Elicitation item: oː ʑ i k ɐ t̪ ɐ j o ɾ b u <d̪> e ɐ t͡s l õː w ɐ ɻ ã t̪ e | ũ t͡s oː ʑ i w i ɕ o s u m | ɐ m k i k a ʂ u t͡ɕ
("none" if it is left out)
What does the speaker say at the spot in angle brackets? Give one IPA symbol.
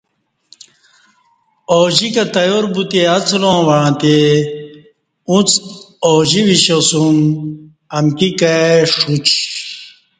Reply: t̪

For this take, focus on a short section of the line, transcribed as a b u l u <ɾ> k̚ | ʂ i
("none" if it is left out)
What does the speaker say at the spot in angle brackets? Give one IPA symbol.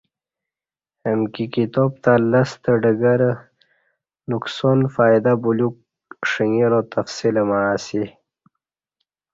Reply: none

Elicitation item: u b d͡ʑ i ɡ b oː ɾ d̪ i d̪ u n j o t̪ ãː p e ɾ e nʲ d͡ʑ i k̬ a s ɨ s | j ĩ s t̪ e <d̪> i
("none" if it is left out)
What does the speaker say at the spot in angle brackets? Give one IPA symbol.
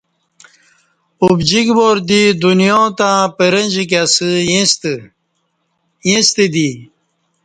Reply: d̪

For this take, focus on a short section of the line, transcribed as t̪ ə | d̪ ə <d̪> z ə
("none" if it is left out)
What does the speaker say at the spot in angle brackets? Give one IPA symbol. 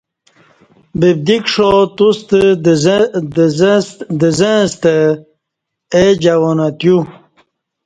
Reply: none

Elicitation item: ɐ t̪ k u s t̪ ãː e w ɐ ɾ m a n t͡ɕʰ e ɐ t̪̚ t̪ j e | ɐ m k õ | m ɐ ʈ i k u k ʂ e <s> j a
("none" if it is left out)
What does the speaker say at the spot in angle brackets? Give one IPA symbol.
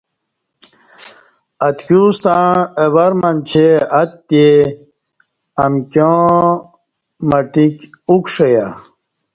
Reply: none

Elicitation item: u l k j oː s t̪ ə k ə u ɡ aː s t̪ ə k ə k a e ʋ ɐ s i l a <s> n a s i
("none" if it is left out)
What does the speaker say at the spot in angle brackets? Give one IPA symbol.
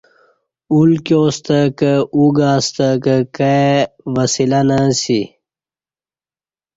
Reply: none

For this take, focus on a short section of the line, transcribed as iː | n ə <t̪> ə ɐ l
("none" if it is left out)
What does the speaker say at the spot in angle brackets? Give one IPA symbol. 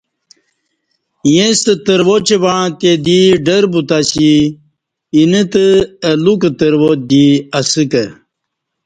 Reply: t̪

